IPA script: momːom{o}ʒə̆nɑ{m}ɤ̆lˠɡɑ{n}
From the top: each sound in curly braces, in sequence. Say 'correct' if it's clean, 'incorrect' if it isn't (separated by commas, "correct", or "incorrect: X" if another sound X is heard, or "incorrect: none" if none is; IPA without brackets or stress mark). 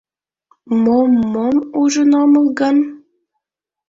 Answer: incorrect: u, correct, correct